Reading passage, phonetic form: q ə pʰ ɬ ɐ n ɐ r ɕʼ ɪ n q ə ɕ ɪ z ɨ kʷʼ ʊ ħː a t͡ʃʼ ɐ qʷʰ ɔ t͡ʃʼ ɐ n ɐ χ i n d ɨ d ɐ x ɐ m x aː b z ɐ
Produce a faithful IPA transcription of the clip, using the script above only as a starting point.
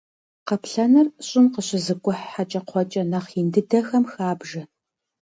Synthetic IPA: q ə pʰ ɬ ɐ n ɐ r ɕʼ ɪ n q ə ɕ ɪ z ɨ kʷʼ ʊ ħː a t͡ʃʼ ɐ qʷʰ ɔ t͡ʃʼ ɐ n ɐ χ i n d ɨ d ɐ x ɐ m x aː b ʒ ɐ